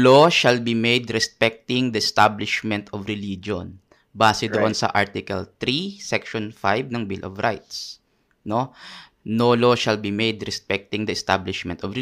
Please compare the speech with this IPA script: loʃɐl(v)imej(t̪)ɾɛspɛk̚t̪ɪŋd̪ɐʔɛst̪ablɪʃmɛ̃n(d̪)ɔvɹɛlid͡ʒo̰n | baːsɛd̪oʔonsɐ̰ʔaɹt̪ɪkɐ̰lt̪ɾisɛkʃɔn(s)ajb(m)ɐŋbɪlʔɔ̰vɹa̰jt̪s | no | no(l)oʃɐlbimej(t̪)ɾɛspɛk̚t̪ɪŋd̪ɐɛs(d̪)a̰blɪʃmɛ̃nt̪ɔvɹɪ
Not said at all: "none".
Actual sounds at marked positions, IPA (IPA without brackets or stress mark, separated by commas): b, d̪, t̪, f, n, l, d̪, t̪